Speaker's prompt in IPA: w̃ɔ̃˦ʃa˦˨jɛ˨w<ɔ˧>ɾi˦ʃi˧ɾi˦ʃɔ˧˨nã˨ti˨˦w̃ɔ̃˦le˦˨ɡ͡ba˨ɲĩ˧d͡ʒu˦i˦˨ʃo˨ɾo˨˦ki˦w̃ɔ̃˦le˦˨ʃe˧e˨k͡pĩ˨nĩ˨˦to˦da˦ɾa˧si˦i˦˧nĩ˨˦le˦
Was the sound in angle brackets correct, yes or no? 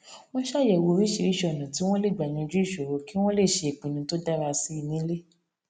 no